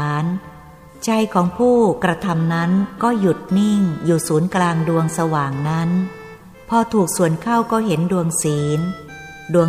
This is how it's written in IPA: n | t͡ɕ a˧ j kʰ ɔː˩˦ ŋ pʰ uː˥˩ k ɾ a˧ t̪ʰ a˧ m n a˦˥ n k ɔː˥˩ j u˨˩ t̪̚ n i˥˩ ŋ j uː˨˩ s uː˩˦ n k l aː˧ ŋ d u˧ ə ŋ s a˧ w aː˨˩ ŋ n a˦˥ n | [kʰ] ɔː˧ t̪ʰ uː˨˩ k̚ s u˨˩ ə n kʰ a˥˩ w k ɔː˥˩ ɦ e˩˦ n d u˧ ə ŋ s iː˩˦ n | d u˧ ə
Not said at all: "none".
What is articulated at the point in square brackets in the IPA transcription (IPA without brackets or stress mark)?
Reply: pʰ